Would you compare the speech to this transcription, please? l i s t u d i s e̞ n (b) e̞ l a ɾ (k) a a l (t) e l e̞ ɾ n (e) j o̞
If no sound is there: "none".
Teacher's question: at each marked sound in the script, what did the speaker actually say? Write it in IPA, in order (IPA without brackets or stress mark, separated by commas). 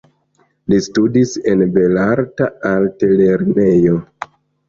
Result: b, t, t, e